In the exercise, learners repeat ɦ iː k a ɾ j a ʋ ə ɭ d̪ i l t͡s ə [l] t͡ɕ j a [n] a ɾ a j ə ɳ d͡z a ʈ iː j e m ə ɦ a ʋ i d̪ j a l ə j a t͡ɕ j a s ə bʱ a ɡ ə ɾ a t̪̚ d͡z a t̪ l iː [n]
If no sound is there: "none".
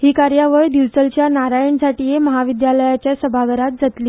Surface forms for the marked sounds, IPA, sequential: l, n, none

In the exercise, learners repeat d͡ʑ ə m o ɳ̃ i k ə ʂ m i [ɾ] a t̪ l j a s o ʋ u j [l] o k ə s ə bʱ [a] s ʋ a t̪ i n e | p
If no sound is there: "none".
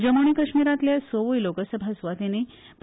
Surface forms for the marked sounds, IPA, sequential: ɾ, l, a

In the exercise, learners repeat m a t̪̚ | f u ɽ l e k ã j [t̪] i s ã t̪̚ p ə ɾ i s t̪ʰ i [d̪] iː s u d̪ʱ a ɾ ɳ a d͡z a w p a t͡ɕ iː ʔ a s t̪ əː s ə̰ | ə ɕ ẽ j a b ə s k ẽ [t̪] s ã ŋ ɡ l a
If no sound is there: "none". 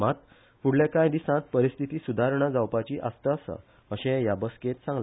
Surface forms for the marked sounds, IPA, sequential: d̪, t̪, t̪

